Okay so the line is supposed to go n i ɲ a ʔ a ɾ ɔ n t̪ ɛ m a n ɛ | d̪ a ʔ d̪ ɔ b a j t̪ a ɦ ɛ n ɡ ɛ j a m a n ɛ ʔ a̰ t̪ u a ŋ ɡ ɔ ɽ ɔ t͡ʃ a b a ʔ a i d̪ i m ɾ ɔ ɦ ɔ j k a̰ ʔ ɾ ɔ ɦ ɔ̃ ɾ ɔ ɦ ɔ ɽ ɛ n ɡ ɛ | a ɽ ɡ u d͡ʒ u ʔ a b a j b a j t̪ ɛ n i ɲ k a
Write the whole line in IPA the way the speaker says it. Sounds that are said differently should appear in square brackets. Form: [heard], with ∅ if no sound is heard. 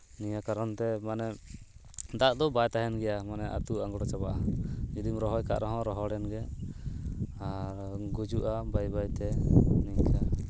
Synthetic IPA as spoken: n i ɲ a [k] a ɾ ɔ n t̪ ɛ m a n ɛ | d̪ a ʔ d̪ ɔ b a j t̪ a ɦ ɛ n ɡ ɛ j a m a n ɛ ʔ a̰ t̪ u a ŋ ɡ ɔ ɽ ɔ t͡ʃ a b a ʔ a i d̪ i m ɾ ɔ ɦ ɔ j k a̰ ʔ ɾ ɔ ɦ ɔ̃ ɾ ɔ ɦ ɔ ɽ ɛ n ɡ ɛ | a [ɾ] ɡ u d͡ʒ u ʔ a b a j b a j t̪ ɛ n i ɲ k a